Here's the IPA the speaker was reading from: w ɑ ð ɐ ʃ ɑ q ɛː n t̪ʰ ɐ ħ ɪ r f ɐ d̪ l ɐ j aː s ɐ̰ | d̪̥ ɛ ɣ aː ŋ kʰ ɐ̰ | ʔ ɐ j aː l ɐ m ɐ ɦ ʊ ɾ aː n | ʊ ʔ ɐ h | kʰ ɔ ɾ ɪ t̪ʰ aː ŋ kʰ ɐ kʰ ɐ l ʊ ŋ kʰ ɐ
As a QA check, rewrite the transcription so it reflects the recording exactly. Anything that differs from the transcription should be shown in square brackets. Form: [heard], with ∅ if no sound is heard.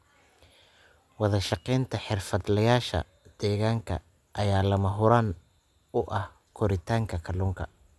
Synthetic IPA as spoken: w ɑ ð ɐ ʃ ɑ q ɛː n t̪ʰ ɐ ħ ɪ r f ɐ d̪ l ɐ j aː [ʃ] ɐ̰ | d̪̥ [ɛː] ɣ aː ŋ kʰ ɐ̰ | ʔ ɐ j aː l ɐ m ɐ ɦ ʊ ɾ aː n | ʊ ʔ ɐ h | kʰ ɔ ɾ ɪ t̪ʰ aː ŋ kʰ ɐ kʰ ɐ l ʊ ŋ kʰ ɐ